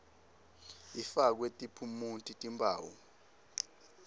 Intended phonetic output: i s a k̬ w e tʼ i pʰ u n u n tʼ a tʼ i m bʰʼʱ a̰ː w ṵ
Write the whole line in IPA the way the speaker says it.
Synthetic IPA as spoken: i f a k̬ w e tʼ i pʰ u m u n tʼ i tʼ i m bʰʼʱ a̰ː w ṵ